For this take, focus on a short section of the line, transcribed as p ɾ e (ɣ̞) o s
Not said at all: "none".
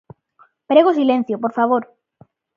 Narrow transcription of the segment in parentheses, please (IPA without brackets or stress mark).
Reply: ɣ̞